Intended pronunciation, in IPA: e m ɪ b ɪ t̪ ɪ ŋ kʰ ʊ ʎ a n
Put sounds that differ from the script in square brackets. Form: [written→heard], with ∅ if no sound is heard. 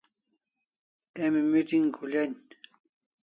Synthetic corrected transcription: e m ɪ [b→m] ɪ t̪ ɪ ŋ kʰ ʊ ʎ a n